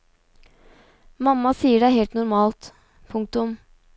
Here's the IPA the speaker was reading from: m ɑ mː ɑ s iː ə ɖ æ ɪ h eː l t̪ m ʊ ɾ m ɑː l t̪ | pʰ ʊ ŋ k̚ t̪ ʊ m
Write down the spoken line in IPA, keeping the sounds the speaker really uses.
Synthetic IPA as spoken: m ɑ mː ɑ s iː ə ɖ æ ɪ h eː l t̪ n ʊ ɾ m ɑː l t̪ | pʰ ʊ ŋ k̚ t̪ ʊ m